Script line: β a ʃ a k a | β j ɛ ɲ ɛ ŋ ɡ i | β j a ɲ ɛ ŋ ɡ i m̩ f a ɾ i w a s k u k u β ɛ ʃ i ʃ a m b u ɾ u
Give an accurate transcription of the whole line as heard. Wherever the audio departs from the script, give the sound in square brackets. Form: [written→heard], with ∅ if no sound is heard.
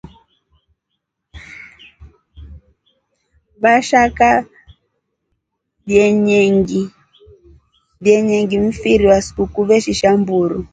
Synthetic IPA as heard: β a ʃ a k a | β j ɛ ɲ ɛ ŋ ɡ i | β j [a→ɛ] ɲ ɛ ŋ ɡ i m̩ f [a→i] ɾ i w a s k u k u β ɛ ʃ i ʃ a m b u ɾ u